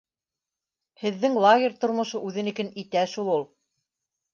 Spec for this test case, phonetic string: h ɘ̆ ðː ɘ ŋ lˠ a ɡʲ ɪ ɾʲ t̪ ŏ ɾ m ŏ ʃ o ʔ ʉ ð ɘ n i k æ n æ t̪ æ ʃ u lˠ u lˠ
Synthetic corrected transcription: h ɘ̆ ðː ɘ ŋ lˠ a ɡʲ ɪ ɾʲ t̪ ŏ ɾ m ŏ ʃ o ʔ ʉ ð ɘ n i k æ n i t̪ æ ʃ u lˠ u lˠ